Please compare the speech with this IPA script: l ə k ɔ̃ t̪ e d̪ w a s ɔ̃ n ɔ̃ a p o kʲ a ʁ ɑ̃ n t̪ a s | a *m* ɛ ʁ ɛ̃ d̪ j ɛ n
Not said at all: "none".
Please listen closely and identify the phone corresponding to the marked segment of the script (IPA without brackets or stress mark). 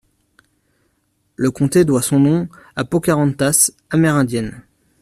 m